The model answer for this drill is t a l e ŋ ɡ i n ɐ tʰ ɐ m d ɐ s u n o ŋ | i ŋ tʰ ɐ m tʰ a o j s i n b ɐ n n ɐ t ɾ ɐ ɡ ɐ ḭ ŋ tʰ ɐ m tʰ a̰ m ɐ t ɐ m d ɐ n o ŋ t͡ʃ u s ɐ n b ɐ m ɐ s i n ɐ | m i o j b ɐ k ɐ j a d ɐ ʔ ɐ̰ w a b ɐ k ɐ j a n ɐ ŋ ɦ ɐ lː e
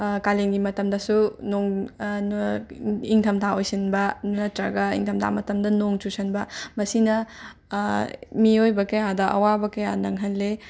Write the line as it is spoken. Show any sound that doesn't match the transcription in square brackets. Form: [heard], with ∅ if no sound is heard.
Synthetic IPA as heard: [k] a l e ŋ ɡ i [m] ɐ [t] ɐ m d ɐ s u n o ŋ | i ŋ tʰ ɐ m tʰ a o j s i n b ɐ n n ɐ t ɾ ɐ ɡ ɐ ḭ ŋ tʰ ɐ m tʰ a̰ m ɐ t ɐ m d ɐ n o ŋ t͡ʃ u s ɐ n b ɐ m ɐ s i n ɐ | m i o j b ɐ k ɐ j a d ɐ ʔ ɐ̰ w a b ɐ k ɐ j a n ɐ ŋ ɦ ɐ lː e